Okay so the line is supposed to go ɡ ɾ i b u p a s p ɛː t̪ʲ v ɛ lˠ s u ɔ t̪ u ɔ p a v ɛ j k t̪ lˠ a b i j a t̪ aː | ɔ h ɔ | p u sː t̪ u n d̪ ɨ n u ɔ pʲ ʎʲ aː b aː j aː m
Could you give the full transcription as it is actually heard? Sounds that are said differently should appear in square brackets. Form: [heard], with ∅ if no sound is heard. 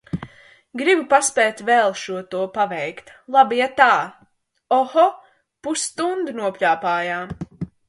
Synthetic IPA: ɡ ɾ i b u p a s p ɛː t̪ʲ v ɛ lˠ [ʃ] u ɔ t̪ u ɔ p a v ɛ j k t̪ lˠ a b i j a t̪ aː | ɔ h ɔ | p u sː t̪ u n d̪ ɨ n u ɔ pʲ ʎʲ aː [p] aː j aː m